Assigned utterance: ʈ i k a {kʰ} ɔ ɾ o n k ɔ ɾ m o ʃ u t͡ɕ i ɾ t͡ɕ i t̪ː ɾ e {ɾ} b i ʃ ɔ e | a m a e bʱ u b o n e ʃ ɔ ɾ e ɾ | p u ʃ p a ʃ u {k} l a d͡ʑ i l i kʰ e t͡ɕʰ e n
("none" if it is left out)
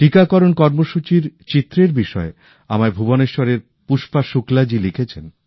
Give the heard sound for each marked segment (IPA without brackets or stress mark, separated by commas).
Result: k, ɾ, k